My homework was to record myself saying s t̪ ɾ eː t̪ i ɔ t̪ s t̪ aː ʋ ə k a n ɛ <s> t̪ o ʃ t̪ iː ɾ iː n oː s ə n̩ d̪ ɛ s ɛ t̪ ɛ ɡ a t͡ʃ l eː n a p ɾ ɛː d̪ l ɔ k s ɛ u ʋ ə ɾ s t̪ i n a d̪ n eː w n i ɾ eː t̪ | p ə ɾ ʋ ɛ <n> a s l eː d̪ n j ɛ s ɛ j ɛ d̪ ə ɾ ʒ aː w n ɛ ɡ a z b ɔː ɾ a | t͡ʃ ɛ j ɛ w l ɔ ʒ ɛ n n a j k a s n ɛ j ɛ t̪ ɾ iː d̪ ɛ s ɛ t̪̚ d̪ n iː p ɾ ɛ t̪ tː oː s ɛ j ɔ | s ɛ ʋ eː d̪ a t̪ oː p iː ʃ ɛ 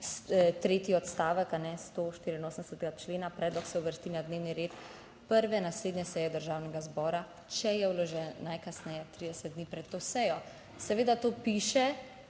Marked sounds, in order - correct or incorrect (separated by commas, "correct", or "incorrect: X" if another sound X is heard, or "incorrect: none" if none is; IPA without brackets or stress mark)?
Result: correct, correct